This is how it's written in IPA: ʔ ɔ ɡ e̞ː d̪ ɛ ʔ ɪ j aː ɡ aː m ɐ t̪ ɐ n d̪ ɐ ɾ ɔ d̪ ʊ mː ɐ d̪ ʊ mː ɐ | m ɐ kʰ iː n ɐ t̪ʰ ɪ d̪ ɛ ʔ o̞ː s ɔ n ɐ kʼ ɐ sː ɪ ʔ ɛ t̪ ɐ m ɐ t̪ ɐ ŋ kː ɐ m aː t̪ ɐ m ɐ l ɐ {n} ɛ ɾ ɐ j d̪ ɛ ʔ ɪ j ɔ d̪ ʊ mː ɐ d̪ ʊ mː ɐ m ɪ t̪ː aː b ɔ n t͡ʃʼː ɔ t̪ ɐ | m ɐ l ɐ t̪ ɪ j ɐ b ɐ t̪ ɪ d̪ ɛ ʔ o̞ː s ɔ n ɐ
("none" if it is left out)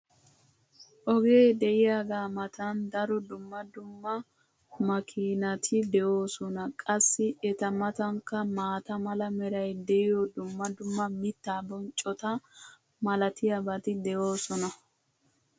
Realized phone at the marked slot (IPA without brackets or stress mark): m